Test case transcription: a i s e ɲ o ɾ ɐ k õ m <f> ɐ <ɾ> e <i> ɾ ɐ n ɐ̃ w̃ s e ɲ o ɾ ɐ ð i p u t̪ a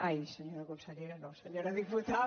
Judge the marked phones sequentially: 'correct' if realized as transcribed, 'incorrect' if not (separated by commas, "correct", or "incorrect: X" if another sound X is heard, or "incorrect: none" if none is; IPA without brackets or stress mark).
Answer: incorrect: s, incorrect: ʎ, incorrect: j